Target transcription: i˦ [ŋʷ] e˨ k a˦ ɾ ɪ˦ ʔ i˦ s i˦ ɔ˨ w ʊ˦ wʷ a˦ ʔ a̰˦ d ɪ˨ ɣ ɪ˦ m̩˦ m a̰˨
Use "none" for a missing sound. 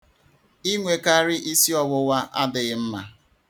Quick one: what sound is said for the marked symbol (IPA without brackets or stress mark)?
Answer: ŋʷ